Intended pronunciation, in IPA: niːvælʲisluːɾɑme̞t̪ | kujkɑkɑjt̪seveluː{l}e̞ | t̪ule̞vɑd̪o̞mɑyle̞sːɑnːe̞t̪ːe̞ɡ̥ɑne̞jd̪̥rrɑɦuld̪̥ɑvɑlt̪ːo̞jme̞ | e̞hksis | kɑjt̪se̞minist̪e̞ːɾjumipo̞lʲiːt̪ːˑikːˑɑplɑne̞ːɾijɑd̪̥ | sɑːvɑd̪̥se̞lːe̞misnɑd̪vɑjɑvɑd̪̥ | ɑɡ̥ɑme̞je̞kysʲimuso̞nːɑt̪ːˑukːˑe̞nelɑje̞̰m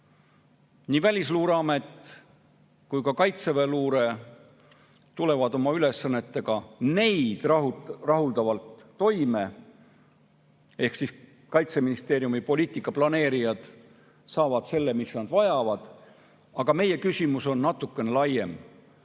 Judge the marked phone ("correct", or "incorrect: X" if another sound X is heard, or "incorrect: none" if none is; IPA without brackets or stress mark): incorrect: ɾ